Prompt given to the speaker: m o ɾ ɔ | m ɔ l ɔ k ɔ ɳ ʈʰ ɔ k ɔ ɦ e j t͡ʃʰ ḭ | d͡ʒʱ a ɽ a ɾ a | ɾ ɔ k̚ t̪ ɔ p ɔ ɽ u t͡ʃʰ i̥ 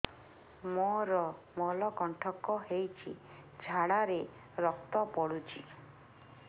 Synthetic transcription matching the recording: m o ɾ ɔ | m ɔ l ɔ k ɔ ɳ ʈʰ ɔ k ɔ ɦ e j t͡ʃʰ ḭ | d͡ʒʱ a ɽ a ɾ e | ɾ ɔ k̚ t̪ ɔ p ɔ ɽ u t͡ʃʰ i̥